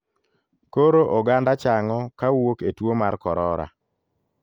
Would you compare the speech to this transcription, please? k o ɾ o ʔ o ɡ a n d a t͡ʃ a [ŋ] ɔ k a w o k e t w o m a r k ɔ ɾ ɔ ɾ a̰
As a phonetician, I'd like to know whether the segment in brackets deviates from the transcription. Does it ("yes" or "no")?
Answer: no